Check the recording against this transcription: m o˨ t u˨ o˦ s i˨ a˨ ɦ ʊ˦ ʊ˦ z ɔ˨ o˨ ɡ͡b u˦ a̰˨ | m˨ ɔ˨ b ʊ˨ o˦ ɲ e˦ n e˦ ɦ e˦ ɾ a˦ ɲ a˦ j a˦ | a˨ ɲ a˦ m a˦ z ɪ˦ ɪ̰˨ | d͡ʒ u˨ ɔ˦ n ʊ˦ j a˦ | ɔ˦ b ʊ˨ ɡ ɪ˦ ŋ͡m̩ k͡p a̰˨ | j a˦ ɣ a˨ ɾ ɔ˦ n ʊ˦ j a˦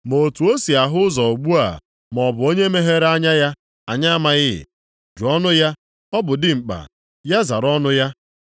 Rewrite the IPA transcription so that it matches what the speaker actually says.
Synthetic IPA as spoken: m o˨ t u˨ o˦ s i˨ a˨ ɦ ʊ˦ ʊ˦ z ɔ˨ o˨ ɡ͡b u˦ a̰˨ | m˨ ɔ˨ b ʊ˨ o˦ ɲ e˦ m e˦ ɦ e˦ ɾ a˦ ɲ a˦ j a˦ | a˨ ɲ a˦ m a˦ ɣ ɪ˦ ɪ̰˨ | d͡ʒ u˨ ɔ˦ n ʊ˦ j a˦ | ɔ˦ b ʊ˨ d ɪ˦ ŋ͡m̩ k͡p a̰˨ | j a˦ z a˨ ɾ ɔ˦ n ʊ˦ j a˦